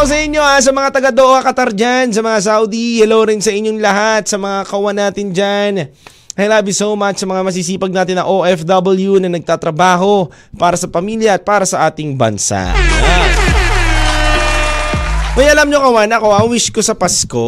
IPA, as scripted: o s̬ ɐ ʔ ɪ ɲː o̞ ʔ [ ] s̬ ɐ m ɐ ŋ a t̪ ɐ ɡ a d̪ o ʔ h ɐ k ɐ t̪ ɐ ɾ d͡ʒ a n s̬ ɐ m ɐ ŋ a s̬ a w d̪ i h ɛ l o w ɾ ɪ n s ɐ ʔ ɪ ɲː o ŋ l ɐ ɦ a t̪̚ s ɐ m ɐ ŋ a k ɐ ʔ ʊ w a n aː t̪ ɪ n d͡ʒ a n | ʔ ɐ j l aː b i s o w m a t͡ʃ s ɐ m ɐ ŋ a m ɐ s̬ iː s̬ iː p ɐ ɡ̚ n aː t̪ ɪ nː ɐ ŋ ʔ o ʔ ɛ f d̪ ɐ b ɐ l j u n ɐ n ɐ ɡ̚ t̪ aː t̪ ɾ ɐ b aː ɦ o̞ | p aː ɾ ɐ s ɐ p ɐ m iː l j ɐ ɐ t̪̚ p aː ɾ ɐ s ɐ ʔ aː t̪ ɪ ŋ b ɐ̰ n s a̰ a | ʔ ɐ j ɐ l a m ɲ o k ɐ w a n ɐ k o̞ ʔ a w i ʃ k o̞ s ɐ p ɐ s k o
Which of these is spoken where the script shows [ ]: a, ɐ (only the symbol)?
a